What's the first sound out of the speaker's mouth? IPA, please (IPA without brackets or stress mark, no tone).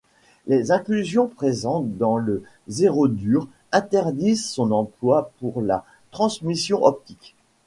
l